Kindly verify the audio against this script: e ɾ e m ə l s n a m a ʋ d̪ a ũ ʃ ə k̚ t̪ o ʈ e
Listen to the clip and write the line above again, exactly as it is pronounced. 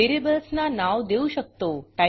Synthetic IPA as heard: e ɾ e b ə l s n a n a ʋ d̪ e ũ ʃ ə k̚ t̪ o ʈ a